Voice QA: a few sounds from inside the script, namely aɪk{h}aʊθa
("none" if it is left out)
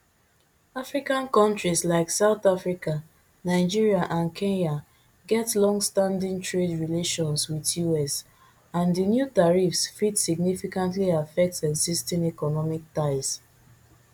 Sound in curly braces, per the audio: s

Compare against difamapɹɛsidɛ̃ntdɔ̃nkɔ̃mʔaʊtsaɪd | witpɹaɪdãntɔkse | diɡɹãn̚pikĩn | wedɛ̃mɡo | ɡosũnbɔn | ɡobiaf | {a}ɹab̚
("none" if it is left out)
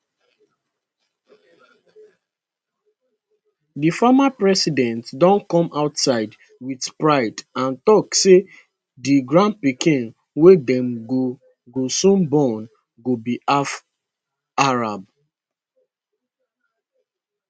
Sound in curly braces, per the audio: a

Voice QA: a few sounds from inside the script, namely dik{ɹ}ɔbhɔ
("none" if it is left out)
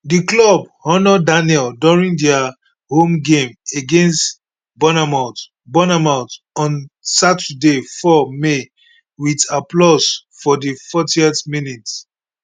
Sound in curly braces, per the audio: l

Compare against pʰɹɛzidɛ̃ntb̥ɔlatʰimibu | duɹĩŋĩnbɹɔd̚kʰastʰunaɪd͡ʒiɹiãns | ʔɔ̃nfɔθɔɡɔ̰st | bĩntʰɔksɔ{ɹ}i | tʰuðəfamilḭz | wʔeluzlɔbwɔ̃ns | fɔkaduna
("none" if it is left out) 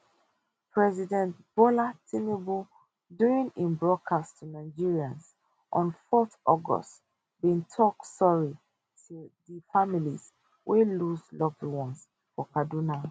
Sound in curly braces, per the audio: ɹ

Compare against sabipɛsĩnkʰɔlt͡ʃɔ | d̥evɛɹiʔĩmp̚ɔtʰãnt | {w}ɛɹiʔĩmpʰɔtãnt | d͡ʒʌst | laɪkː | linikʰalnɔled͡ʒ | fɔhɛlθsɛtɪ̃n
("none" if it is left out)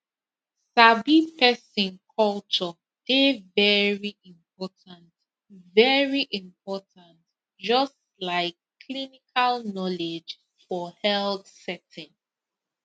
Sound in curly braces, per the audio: v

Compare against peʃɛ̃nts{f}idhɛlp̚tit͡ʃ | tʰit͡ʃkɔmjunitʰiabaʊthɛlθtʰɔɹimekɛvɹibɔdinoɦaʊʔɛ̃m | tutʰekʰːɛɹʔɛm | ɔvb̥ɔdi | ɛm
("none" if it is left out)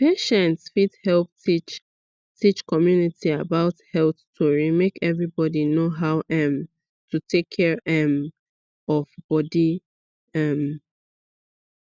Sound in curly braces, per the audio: f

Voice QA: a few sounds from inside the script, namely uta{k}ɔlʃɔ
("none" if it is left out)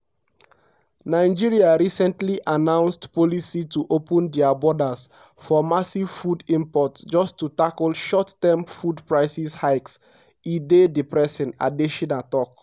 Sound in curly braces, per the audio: k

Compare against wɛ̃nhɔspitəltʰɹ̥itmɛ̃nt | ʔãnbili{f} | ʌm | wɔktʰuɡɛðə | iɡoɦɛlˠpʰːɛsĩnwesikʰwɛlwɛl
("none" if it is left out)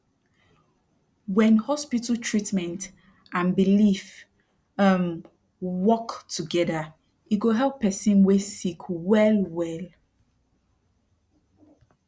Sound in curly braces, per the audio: f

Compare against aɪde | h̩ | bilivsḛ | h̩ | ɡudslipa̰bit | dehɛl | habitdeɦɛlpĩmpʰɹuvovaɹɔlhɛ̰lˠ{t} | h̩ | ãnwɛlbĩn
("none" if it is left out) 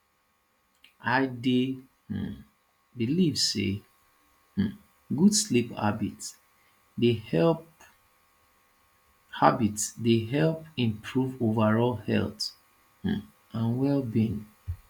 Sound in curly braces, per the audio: t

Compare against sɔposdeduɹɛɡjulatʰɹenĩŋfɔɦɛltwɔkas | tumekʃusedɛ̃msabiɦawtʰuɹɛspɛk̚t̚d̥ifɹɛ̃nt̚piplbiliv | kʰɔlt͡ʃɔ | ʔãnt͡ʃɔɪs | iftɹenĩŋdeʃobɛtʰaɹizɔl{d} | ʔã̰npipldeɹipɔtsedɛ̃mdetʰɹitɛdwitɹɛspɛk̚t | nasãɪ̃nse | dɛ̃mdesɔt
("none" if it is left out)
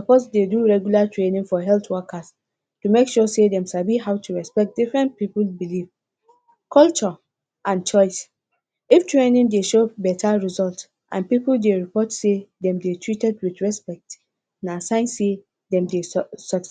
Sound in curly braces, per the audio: t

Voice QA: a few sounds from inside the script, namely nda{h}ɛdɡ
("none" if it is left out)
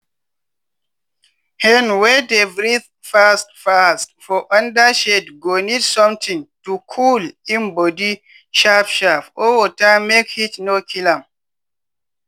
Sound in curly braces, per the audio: ʃ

